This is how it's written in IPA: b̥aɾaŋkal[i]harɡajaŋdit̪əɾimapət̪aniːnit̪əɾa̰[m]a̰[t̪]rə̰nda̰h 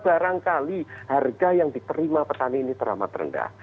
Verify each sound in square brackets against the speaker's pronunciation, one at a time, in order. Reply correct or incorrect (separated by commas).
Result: correct, correct, correct